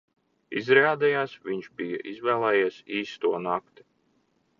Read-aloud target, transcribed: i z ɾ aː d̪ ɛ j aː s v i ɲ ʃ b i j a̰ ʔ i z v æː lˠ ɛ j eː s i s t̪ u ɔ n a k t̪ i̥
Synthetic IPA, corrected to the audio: i z ɾ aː d̪ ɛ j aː s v i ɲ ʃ b i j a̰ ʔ i z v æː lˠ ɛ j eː s iː s t̪ u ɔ n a k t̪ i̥